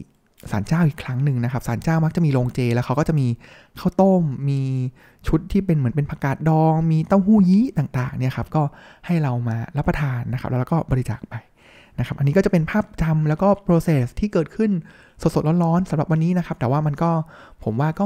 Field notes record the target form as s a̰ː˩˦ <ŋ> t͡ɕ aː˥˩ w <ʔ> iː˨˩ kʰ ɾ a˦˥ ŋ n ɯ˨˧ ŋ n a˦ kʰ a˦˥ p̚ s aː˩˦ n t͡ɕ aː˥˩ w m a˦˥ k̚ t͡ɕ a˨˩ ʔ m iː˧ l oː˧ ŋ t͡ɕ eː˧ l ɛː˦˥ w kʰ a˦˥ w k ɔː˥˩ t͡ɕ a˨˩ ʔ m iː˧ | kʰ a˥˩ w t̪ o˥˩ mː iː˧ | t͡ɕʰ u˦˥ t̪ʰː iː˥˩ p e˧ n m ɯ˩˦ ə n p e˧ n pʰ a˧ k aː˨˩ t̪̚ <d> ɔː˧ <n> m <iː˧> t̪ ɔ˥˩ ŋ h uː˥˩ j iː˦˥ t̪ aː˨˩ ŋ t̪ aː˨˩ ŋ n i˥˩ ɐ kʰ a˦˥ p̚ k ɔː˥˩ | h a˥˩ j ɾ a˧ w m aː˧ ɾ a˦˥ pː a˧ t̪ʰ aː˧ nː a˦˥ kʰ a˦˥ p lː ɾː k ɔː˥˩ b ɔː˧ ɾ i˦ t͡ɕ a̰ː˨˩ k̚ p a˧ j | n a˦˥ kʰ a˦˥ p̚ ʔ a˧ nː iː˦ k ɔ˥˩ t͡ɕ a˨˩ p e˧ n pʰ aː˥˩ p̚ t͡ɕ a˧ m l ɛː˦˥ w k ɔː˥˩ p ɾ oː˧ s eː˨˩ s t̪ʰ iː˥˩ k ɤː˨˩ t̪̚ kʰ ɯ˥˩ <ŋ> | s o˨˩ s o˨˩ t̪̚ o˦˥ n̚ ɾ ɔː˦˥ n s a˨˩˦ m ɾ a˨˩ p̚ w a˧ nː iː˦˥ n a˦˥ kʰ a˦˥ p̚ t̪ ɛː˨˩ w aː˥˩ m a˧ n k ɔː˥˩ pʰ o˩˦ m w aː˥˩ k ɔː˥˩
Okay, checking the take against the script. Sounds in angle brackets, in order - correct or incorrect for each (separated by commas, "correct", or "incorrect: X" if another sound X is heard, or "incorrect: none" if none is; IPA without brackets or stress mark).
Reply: incorrect: n, correct, correct, incorrect: ŋ, correct, incorrect: n